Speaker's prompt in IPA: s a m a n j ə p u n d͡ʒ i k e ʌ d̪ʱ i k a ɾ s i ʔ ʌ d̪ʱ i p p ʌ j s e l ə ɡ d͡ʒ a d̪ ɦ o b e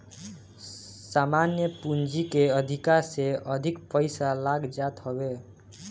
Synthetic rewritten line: s a m a n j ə p u n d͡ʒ i k e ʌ d̪ʱ i k a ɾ s e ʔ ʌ d̪ʱ i k p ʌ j s a l a ɡ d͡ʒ a t̪ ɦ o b e